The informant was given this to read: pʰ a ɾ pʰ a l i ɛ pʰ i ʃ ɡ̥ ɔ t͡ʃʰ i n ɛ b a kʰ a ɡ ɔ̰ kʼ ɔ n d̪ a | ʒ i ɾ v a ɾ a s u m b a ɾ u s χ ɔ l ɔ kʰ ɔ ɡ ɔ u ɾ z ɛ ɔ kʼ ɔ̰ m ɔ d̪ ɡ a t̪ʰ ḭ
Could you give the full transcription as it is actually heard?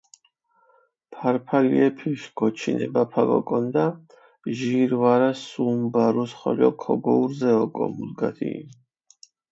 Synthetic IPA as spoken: pʰ a ɾ pʰ a l i ɛ pʰ i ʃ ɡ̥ ɔ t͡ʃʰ i n ɛ b a pʰ a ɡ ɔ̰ kʼ ɔ n d̪ a | ʒ i ɾ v a ɾ a s u m b a ɾ u s χ ɔ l ɔ kʰ ɔ ɡ ɔ u ɾ z ɛ ɔ kʼ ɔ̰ m u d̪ ɡ a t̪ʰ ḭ